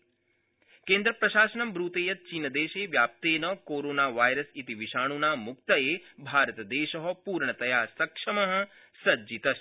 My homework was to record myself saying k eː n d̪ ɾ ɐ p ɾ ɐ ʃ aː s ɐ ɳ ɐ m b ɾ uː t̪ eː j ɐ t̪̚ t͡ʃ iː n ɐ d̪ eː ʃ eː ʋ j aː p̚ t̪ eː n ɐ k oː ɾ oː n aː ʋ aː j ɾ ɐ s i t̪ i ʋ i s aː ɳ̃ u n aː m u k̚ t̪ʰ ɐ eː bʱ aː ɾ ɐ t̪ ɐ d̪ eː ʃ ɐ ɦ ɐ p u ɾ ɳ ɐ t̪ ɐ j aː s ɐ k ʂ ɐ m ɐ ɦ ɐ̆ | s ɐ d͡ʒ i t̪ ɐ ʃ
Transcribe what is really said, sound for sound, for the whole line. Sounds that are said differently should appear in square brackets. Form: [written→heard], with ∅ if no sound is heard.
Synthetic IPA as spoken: k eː n d̪ ɾ ɐ p ɾ ɐ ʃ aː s ɐ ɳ ɐ m b ɾ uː t̪ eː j ɐ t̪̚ t͡ʃ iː n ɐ d̪ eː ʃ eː ʋ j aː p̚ t̪ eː n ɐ k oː ɾ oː n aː ʋ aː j ɾ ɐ s i t̪ i ʋ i [s→ʃ] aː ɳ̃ u n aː m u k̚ [t̪ʰ→t̪] ɐ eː bʱ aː ɾ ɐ t̪ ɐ d̪ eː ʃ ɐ ɦ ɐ p [u→uː] ɾ ɳ ɐ t̪ ɐ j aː s ɐ k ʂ ɐ m ɐ ɦ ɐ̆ | s ɐ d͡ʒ i t̪ ɐ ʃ